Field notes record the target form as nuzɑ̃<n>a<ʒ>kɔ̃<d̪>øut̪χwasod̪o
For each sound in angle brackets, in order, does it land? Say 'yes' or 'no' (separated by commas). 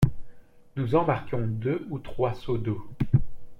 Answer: no, no, yes